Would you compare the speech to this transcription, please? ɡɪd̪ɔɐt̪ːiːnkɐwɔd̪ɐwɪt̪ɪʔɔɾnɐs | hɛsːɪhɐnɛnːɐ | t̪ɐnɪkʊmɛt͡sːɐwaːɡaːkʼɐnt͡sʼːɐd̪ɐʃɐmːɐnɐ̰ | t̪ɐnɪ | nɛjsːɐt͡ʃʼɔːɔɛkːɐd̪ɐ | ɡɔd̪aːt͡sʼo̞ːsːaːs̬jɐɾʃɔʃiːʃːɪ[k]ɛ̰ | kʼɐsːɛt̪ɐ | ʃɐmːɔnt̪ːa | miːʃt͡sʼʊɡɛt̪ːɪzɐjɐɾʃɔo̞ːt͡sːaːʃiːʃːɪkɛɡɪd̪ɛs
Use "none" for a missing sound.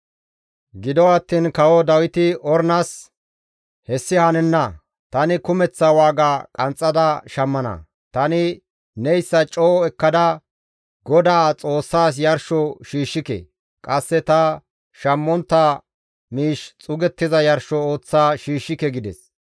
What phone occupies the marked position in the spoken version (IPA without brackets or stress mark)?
k